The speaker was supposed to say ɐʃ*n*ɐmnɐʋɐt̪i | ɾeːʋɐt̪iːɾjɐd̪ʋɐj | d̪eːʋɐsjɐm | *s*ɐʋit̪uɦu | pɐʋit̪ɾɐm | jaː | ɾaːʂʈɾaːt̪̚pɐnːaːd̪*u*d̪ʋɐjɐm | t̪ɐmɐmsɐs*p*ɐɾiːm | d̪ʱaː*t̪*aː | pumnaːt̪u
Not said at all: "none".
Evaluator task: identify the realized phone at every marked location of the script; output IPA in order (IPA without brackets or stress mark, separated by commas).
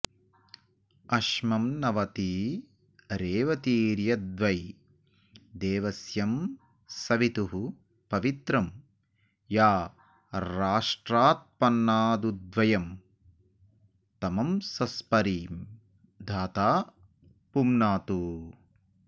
m, s, u, p, t̪